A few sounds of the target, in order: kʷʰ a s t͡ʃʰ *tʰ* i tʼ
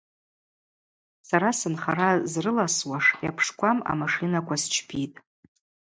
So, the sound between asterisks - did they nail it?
no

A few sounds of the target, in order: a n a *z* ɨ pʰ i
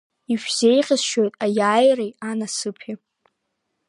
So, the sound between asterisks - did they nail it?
no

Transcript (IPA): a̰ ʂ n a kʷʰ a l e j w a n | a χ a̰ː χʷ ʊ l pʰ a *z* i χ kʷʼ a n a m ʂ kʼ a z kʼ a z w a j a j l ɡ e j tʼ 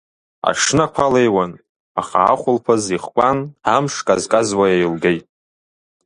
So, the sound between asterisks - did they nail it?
yes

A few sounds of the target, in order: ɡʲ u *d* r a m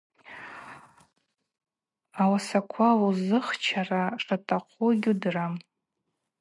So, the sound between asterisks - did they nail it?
yes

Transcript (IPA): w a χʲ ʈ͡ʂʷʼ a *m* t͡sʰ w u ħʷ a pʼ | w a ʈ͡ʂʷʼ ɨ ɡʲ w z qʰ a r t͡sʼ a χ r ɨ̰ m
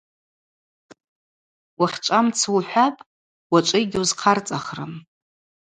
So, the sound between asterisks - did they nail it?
yes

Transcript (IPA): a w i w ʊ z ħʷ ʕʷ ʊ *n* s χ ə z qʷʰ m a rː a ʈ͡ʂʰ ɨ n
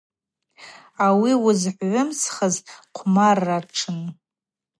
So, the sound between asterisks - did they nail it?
no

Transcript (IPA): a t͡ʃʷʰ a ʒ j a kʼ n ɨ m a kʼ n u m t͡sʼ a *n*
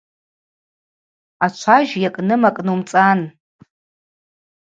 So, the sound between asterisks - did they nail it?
yes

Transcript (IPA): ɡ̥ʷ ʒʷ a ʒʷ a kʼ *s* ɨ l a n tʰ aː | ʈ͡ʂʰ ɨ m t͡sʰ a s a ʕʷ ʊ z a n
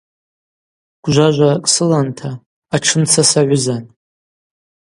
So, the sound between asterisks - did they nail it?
yes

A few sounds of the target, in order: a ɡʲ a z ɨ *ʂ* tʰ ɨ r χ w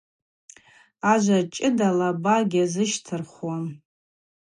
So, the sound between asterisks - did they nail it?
no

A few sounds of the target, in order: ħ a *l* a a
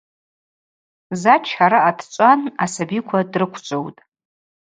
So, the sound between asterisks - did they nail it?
no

